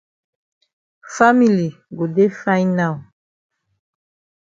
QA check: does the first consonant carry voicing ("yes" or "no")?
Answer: no